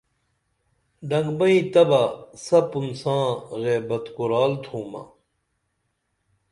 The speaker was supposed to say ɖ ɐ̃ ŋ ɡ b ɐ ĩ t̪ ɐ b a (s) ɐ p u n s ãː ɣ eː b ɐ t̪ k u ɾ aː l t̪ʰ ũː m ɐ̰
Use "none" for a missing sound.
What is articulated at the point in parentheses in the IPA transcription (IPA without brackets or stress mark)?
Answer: s